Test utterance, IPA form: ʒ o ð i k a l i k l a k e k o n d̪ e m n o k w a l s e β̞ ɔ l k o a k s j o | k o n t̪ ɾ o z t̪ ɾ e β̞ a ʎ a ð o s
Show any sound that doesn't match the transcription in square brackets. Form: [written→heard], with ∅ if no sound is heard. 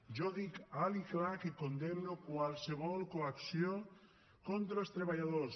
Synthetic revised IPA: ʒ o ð i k a l i k l a k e k o n d̪ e m n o k w a l s e β̞ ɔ l k o a k s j o | k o n t̪ ɾ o [z→s] t̪ ɾ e β̞ a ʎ a ð o s